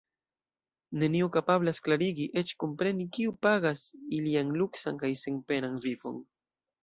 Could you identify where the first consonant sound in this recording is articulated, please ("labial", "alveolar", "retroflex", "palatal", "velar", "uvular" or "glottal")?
alveolar